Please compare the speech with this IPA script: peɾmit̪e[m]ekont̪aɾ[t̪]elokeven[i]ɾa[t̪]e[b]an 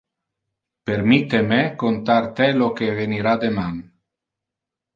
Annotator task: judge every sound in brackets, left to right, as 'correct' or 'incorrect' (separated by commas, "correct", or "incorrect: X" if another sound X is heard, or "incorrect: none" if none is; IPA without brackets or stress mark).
correct, correct, correct, incorrect: d̪, incorrect: m